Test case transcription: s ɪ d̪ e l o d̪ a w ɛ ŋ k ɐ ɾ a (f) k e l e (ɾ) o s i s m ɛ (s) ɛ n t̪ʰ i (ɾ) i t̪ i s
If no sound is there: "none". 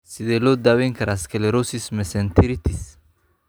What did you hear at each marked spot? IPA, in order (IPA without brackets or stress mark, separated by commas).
s, ɾ, s, ɾ